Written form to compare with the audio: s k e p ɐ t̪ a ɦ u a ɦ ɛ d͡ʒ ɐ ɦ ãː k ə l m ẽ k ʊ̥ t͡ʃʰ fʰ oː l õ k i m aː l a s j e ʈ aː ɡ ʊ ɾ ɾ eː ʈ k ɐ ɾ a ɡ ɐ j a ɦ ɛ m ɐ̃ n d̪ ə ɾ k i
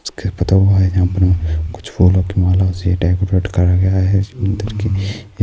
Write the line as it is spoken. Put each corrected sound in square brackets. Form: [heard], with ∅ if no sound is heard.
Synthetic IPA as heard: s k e p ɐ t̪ a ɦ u a ɦ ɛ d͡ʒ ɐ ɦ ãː [p] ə [ɾ] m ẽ k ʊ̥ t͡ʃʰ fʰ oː l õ k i m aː l a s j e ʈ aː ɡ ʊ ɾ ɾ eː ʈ k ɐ ɾ a ɡ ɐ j a ɦ ɛ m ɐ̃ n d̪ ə ɾ k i